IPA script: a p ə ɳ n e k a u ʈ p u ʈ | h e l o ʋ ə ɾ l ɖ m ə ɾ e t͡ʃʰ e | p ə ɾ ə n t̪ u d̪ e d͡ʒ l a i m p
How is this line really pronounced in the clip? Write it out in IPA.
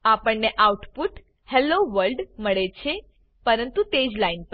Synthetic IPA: a p ə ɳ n e ʔ a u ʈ p u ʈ | h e l o ʋ ə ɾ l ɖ m ə ɭ e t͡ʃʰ e | p ə ɾ ə n t̪ u t̪ e d͡ʒ l a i n p